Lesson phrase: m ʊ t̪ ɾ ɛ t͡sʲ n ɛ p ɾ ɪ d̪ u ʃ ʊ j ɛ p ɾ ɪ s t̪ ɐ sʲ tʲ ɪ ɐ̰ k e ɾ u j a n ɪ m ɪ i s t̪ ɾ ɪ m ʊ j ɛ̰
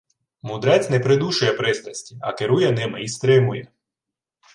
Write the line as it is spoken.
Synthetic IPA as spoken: m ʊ d̪ ɾ ɛ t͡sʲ n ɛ p ɾ ɪ d̪ u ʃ ʊ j ɛ p ɾ ɪ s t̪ ɐ sʲ tʲ i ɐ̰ k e ɾ u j ɛ n ɪ m ɪ i s t̪ ɾ ɪ m ʊ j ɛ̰